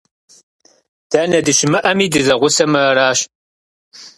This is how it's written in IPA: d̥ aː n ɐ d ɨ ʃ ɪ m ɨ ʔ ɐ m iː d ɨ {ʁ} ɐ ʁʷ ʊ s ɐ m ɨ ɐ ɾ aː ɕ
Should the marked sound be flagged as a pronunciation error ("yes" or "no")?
yes